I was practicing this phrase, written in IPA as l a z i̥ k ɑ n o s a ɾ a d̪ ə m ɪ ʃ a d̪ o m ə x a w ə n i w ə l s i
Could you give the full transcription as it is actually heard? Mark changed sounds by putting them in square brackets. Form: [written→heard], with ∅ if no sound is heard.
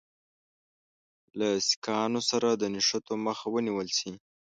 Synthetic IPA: l a [z→s] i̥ k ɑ n o s a ɾ a d̪ ə [m→n] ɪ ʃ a [d̪→t̪] o m ə x a w ə n i w ə l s i